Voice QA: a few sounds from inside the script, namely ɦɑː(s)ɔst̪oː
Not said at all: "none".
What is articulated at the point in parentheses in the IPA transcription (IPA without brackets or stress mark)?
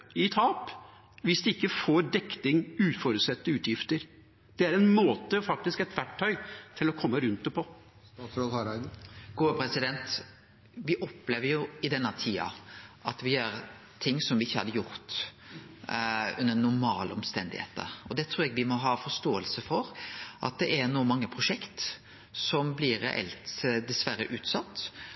f